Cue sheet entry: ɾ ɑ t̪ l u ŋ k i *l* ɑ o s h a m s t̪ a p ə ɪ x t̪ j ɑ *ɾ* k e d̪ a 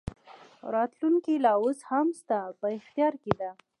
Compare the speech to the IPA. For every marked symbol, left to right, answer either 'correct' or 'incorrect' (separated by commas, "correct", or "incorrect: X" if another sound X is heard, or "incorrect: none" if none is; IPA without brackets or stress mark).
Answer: correct, correct